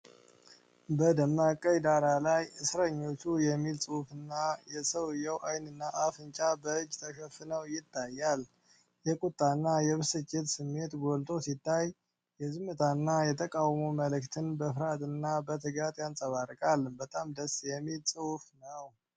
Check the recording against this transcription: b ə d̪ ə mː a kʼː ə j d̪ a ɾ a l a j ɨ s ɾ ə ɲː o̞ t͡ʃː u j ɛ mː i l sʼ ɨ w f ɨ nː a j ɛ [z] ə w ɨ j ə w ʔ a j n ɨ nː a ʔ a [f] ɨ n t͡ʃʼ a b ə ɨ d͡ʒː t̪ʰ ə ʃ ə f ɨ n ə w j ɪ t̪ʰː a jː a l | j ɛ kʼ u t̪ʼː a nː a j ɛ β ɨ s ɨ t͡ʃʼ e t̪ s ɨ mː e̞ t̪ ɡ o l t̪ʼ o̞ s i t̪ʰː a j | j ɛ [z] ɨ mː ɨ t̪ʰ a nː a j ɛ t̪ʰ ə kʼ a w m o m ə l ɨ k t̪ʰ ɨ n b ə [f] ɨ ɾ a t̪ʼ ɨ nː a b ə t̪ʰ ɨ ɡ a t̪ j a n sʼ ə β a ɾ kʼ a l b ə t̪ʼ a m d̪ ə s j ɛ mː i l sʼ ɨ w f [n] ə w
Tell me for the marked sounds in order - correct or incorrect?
incorrect: s, correct, correct, correct, correct

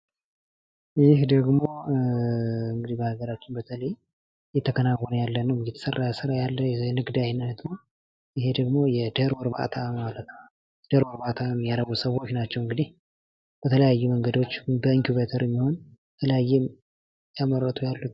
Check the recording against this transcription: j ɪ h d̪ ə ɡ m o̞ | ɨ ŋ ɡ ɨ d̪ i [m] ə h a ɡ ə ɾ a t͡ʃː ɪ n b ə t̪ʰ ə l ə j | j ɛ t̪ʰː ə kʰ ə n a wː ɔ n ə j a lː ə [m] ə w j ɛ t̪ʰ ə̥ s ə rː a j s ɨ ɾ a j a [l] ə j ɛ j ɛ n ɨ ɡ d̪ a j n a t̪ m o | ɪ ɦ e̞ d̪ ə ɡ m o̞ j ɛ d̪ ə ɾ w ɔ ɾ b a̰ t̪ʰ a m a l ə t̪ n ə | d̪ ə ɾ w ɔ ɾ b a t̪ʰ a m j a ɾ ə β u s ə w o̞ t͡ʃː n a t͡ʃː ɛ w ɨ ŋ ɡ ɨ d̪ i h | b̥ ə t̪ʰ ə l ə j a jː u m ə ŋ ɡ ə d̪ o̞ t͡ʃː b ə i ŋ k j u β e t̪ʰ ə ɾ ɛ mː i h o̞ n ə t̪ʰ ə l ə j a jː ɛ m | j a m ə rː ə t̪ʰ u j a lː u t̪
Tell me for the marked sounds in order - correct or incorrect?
incorrect: b, incorrect: n, incorrect: lː

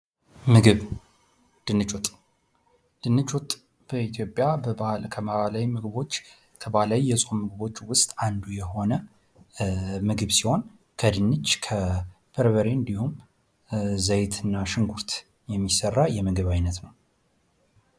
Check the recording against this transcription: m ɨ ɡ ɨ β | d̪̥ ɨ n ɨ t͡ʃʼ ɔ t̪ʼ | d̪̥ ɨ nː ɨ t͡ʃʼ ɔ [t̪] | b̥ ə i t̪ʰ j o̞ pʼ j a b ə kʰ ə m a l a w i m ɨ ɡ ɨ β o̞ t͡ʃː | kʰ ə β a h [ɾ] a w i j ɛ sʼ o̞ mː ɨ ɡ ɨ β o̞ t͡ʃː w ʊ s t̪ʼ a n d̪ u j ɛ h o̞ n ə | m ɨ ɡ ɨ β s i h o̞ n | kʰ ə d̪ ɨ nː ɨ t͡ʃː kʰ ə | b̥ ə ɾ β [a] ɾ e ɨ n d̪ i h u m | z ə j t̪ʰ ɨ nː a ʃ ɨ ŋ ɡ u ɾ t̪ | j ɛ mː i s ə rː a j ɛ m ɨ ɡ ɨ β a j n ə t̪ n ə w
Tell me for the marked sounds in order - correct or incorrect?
incorrect: t̪ʼ, incorrect: l, incorrect: ə

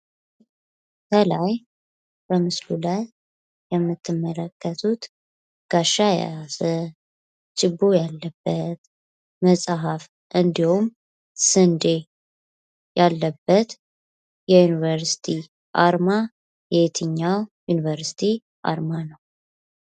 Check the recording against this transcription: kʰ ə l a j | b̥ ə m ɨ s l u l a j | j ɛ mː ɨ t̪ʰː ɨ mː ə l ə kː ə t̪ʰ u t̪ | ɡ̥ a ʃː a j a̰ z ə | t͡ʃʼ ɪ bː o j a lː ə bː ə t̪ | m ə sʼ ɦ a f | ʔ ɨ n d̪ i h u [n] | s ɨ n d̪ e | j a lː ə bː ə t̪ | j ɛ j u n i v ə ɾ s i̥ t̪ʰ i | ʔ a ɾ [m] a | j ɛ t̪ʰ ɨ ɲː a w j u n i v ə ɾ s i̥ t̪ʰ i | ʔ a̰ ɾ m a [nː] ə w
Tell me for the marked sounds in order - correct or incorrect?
incorrect: m, correct, incorrect: n

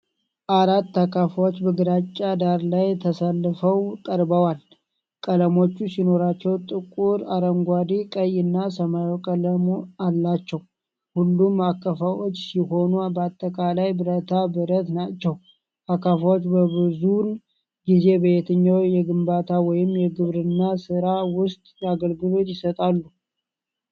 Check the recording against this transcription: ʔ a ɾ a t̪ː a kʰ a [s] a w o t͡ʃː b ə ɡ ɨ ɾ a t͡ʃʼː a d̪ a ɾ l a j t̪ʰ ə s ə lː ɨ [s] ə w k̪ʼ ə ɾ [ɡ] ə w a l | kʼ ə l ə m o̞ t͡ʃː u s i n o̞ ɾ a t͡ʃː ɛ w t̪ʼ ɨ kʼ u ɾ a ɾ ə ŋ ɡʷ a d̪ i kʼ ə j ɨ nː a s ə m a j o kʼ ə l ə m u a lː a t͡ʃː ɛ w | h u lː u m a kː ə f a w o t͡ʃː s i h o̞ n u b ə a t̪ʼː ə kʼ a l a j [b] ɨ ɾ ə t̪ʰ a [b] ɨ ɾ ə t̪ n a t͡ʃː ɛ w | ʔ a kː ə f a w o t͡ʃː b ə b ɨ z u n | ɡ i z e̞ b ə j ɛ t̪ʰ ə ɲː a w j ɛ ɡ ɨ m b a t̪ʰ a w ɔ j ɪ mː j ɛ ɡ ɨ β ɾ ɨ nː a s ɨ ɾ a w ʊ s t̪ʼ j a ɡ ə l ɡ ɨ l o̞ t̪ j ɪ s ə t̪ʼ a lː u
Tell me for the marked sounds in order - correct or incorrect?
incorrect: f, incorrect: f, incorrect: b, correct, correct

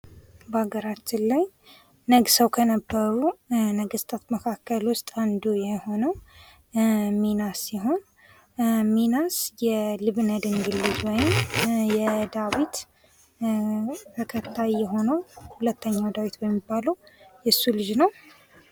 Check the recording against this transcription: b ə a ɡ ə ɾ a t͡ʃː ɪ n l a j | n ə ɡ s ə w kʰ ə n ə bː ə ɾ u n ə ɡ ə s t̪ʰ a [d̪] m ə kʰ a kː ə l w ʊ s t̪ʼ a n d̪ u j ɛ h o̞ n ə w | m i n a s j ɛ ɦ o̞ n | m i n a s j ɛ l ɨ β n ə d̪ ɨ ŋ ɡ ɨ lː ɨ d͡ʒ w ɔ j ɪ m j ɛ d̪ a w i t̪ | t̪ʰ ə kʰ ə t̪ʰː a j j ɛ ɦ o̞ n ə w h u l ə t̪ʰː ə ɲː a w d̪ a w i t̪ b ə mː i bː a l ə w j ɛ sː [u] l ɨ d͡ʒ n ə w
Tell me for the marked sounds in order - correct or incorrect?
incorrect: t̪, correct

